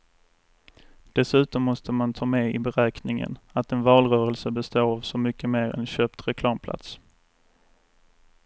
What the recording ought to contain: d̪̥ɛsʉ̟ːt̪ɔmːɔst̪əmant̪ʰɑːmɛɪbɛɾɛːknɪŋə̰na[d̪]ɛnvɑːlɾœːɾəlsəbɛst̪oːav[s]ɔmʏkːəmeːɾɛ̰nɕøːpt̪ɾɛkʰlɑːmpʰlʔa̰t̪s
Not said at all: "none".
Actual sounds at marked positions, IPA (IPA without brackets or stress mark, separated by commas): t̪, s